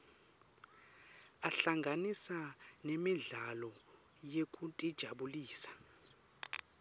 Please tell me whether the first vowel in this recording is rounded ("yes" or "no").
no